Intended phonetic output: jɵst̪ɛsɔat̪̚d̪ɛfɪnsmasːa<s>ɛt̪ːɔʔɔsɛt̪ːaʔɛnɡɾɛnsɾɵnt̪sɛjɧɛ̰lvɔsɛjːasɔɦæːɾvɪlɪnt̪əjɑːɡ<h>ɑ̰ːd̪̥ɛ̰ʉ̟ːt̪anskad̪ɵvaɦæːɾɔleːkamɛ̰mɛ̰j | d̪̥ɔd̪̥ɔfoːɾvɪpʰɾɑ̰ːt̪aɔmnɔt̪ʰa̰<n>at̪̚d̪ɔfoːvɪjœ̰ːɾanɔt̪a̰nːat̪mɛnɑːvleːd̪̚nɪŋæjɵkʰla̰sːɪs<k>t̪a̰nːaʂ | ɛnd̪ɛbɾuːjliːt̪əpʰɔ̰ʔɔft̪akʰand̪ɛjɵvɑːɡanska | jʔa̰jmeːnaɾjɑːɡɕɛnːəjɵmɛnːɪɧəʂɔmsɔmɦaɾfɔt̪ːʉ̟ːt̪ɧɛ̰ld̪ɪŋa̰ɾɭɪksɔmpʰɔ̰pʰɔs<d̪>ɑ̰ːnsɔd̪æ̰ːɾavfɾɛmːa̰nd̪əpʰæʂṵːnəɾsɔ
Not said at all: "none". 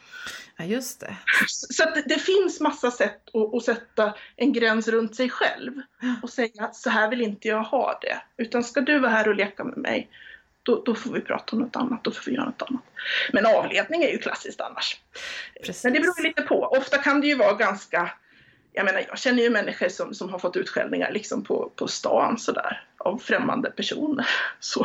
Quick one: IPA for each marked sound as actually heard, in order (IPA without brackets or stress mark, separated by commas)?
s, h, nː, k, t̪